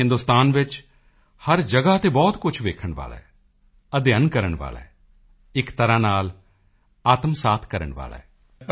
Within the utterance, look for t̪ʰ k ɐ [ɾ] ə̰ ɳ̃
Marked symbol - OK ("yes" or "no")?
yes